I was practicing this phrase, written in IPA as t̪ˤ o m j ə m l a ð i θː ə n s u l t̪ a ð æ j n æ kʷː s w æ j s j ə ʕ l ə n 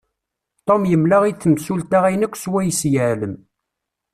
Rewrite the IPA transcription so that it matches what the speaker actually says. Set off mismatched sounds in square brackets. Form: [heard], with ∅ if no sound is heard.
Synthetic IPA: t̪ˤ o m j ə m l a [ʁ] i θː ə [m] s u l t̪ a [ʁ] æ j n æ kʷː s w æ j s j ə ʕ l ə [m]